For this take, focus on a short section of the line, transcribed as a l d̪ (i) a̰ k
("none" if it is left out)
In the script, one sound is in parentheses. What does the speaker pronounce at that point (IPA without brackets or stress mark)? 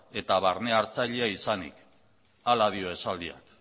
i